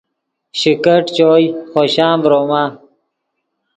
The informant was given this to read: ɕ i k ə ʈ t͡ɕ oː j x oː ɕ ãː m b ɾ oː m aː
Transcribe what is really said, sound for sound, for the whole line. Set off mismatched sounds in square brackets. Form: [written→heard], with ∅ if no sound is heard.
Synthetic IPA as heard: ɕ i k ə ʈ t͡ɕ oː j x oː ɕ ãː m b ɾ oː m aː

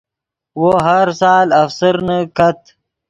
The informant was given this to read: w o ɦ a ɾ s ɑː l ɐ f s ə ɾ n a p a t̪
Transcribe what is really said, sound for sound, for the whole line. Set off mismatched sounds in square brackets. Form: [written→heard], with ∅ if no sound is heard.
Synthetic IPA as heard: w o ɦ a ɾ s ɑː l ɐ f s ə ɾ n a [p→k] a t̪

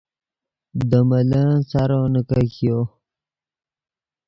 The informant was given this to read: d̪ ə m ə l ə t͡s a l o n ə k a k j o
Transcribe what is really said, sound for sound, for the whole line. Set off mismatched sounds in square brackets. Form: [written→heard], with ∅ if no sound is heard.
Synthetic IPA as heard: d̪ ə m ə l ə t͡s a [l→ɾ] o n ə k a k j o

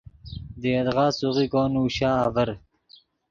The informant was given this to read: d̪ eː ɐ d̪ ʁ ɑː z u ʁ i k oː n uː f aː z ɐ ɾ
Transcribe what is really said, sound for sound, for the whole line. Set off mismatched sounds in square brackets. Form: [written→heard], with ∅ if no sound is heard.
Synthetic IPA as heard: d̪ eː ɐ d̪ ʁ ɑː [z→s] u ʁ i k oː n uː [f→ɕ] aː [z→v] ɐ ɾ

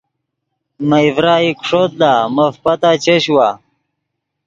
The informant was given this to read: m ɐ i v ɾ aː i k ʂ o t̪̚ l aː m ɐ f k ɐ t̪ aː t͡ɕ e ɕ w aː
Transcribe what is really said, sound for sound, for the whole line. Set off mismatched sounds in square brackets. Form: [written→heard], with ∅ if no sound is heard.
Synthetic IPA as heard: m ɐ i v ɾ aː i k ʂ o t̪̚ l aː m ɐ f [k→p] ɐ t̪ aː t͡ɕ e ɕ w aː

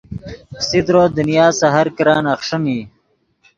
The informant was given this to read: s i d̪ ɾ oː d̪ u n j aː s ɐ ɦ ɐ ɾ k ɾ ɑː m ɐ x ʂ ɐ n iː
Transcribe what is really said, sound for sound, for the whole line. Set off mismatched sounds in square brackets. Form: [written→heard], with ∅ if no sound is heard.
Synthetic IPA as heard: s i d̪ ɾ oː d̪ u n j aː s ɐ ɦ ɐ ɾ k ɾ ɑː [m→n] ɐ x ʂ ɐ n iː

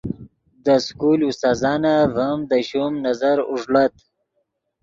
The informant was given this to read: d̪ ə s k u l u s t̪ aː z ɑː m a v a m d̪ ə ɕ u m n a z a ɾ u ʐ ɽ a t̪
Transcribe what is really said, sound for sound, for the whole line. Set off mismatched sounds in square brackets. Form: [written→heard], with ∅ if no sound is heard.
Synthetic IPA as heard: d̪ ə s k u l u s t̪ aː z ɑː [m→n] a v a m d̪ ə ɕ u m n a z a ɾ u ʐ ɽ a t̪

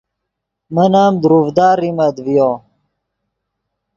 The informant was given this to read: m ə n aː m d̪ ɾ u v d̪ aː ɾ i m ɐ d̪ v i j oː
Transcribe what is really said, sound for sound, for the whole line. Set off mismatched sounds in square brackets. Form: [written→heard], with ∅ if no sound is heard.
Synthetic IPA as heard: m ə n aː m d̪ ɾ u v d̪ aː ɾ i m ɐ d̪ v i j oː

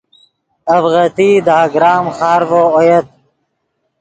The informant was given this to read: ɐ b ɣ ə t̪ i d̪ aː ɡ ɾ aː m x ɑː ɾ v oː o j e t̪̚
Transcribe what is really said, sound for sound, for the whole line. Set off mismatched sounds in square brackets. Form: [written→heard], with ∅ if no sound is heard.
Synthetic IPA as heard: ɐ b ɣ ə t̪ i d̪ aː ɡ ɾ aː m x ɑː ɾ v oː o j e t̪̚

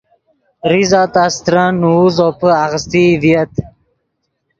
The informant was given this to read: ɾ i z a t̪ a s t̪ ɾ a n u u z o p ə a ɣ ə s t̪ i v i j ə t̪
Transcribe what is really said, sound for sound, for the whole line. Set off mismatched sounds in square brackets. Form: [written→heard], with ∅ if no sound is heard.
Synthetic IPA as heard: ɾ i z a t̪ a s t̪ ɾ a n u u z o p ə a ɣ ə s t̪ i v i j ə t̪

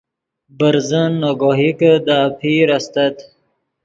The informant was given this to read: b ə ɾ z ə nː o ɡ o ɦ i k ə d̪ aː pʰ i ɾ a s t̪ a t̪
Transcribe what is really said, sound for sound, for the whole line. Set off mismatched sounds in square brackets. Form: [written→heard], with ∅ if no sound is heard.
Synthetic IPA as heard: b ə ɾ z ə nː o ɡ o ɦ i k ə d̪ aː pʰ i ɾ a s t̪ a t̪

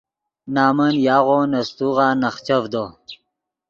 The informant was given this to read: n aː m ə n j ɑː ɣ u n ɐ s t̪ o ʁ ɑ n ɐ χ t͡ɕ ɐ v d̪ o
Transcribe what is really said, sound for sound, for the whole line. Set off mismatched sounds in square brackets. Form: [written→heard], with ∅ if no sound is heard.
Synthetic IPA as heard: n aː m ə n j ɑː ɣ [u→o] n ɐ s t̪ [o→u] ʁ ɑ n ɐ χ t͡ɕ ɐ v d̪ o

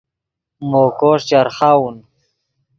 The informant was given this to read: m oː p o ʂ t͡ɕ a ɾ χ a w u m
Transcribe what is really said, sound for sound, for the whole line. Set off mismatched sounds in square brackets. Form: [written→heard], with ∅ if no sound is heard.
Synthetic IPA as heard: m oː [p→k] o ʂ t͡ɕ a ɾ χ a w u [m→n]

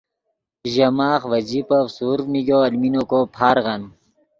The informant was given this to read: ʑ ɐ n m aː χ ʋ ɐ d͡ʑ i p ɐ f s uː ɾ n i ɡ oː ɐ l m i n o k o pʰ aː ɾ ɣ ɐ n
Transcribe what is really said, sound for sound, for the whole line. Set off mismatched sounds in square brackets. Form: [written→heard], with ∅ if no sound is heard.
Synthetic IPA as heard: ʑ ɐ [n→∅] m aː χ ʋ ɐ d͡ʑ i p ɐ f s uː ɾ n i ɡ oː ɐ l m i n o k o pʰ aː ɾ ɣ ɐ n

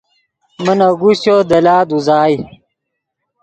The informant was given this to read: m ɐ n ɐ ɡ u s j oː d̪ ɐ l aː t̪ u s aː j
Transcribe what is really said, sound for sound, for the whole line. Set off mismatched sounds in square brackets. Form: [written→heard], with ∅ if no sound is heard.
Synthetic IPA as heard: m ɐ n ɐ ɡ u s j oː d̪ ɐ l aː [t̪→d̪] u [s→z] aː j

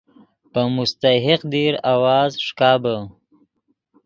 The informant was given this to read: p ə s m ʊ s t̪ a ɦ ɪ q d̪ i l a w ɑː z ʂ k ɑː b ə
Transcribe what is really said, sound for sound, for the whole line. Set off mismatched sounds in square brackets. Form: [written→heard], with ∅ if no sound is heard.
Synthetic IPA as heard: p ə [s→∅] m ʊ s t̪ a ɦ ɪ q d̪ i [l→ɾ] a w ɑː z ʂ k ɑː b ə

